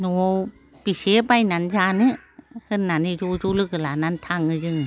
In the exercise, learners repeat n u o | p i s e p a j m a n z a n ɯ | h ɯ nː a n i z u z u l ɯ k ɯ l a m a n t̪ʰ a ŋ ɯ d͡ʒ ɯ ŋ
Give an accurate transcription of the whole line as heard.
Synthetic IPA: n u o | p i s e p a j n a n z a n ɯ | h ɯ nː a n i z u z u l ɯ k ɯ l a n a n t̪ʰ a ŋ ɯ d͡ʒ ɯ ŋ